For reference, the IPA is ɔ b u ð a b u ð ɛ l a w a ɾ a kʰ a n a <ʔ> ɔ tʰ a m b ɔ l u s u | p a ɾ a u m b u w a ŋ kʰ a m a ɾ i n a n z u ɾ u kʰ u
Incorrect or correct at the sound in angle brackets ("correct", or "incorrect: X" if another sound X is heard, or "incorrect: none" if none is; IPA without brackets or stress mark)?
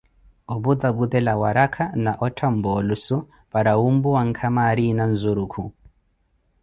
correct